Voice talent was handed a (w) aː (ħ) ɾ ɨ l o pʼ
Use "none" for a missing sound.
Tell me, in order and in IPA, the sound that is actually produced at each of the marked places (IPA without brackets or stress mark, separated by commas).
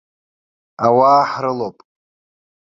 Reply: w, ħ